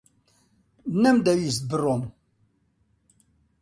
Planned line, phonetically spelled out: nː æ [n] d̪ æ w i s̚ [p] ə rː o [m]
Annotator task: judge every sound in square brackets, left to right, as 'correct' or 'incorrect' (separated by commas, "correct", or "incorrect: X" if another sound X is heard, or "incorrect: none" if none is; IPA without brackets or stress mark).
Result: incorrect: m, incorrect: b, correct